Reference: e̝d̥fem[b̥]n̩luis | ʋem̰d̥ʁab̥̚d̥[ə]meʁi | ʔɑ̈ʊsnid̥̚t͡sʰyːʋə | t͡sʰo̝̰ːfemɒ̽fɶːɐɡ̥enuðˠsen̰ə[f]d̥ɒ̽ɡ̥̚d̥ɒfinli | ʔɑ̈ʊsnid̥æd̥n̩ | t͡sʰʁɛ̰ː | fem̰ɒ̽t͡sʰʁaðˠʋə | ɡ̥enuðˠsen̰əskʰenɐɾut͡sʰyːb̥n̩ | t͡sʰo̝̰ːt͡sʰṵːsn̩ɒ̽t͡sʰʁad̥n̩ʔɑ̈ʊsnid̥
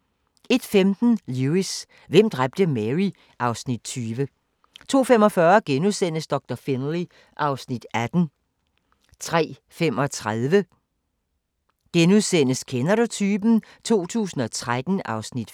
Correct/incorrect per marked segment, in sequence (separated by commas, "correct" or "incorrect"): incorrect, correct, incorrect